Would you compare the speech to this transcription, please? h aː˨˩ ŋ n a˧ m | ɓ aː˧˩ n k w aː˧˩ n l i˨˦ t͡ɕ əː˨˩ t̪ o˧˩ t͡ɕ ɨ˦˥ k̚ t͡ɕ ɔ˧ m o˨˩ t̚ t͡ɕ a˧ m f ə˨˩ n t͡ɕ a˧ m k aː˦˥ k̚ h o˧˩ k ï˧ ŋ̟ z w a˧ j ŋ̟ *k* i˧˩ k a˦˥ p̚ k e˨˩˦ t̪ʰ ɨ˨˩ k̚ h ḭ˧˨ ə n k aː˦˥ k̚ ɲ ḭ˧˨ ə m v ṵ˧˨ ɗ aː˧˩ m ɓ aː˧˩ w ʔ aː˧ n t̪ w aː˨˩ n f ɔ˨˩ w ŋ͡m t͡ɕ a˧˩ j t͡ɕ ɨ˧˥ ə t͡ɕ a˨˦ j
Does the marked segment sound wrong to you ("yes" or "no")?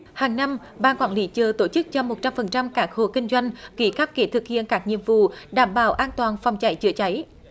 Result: no